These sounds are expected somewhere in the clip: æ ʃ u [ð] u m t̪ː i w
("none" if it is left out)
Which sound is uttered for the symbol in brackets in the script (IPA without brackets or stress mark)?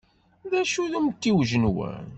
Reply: ð